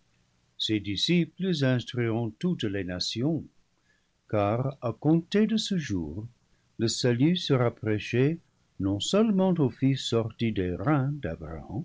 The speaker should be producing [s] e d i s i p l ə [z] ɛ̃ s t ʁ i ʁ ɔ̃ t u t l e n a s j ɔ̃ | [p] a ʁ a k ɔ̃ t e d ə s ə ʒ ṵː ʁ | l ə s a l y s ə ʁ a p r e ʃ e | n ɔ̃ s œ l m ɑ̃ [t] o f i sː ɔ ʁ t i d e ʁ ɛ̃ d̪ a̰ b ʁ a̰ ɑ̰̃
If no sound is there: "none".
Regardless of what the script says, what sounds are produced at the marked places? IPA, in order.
s, z, k, t

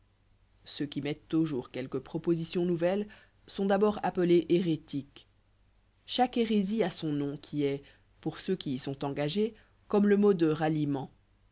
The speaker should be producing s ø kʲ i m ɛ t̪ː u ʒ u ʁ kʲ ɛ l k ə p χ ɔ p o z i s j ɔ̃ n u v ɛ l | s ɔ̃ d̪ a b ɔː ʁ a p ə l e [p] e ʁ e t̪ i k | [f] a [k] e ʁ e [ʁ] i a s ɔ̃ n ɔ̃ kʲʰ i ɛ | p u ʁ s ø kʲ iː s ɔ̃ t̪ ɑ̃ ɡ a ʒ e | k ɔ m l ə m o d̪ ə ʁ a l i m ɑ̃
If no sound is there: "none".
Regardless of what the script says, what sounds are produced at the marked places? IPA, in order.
ʔ, ʃ, k, z

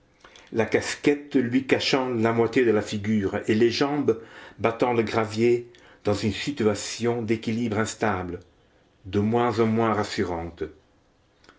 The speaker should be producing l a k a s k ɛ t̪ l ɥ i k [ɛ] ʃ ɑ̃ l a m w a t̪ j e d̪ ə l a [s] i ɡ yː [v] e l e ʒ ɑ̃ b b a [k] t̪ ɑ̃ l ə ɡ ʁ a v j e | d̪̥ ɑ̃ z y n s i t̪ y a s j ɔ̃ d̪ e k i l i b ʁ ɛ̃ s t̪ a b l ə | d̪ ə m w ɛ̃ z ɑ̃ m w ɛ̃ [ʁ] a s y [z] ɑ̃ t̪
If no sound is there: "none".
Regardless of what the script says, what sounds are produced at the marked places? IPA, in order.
a, f, ʁ, none, ʁ, ʁ

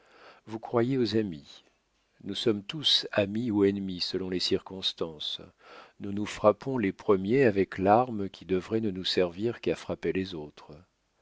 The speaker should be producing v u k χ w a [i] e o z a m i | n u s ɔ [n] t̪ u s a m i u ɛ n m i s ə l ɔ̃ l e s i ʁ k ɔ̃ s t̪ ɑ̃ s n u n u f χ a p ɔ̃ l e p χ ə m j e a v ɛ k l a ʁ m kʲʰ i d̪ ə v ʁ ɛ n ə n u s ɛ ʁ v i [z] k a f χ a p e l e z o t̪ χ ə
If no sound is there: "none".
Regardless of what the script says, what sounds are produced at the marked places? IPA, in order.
j, m, ʁ

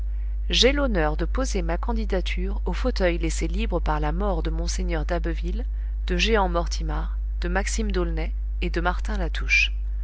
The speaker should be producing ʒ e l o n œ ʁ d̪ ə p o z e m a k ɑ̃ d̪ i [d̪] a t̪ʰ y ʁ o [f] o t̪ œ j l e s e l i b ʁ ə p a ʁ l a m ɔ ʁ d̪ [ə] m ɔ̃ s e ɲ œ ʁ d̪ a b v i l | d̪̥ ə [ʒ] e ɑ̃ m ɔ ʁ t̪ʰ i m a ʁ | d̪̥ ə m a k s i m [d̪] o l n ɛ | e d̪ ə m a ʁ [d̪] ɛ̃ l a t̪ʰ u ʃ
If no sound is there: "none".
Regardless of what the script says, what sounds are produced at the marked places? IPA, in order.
d̪, f, ə, ʒ, d̪, t̪

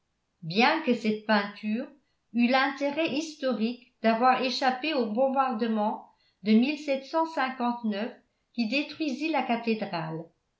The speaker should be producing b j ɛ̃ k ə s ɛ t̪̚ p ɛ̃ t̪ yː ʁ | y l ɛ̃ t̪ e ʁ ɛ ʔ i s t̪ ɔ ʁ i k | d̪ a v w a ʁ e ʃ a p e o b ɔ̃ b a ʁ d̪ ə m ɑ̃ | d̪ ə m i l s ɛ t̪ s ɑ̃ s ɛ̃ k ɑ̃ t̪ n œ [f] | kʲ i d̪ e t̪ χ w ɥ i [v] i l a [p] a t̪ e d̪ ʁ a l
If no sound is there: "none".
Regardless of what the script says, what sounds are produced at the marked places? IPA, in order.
f, z, k

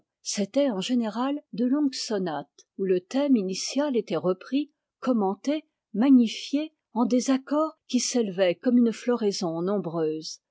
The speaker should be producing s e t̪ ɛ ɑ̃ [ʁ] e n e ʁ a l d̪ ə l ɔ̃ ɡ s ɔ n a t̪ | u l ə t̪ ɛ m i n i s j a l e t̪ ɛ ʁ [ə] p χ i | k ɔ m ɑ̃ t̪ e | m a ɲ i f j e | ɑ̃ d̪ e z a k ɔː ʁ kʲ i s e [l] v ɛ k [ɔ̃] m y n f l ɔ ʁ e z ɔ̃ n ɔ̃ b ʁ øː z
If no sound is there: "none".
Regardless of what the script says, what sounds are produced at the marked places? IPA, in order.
ʒ, ə, l, ɔ

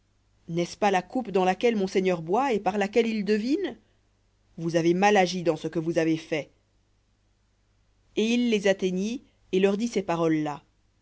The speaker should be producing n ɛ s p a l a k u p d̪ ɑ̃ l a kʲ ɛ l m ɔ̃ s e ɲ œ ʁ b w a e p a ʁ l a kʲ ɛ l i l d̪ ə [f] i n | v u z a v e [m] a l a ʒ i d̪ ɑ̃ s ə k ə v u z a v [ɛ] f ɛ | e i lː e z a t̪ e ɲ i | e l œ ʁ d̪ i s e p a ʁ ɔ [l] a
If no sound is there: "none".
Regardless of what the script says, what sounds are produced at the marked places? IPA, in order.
v, m, e, lː

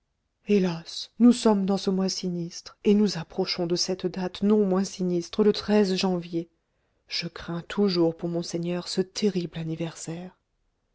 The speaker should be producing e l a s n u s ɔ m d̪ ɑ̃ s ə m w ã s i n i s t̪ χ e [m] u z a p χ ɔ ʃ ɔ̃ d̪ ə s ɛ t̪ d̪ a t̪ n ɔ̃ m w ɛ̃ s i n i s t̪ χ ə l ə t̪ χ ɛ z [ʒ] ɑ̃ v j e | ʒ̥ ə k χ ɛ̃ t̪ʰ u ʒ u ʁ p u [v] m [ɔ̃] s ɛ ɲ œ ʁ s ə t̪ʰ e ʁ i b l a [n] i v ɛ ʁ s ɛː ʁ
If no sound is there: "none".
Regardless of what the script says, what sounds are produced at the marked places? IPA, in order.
n, ʒ, ʁ, ɔ̃, n

